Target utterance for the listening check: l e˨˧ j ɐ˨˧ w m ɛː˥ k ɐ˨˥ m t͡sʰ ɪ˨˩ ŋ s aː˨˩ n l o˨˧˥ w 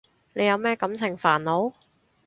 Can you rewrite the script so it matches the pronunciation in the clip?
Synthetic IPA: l e˨˧ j ɐ˨˧ w m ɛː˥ k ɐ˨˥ m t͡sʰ ɪ˨˩ ŋ f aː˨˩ n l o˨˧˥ w